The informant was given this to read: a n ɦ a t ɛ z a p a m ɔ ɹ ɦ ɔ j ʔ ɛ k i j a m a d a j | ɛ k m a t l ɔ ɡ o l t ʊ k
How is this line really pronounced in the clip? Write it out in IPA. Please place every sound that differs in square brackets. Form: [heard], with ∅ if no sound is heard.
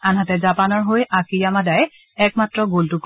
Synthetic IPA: a n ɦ a t ɛ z a p a [n] ɔ ɹ ɦ [o] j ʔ [a] k i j a m a d a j | ɛ k m a t [ɹ] ɔ ɡ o l t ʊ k